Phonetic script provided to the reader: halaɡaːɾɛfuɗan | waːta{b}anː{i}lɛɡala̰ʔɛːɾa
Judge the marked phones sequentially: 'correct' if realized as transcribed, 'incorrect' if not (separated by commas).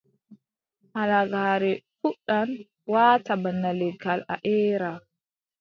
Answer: correct, incorrect